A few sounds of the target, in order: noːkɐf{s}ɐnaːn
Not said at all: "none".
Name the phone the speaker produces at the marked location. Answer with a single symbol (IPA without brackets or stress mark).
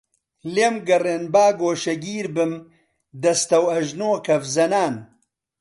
z